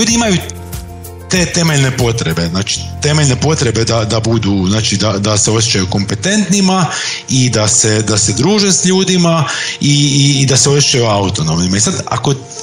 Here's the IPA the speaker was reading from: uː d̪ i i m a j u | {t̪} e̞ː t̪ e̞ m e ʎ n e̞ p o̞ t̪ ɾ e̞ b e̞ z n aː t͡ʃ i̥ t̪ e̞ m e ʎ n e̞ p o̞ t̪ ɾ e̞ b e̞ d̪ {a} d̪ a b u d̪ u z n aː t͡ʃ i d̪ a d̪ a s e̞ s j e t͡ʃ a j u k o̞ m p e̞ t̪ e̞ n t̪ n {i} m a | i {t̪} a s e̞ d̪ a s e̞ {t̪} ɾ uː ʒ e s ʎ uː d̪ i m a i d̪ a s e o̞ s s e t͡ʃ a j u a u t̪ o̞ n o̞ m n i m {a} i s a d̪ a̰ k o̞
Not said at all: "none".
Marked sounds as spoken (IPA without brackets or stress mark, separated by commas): t̪, a, i, d̪, d̪, a